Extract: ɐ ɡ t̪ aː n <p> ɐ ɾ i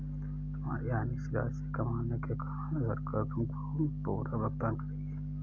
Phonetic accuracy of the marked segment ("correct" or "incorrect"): incorrect